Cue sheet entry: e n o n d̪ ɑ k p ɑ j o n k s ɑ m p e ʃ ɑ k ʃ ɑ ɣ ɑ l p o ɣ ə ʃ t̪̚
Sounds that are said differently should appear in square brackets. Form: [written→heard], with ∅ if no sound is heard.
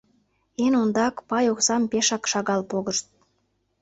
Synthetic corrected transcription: e n o n d̪ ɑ k p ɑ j o [n→∅] k s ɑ m p e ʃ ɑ k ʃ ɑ ɣ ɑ l p o ɣ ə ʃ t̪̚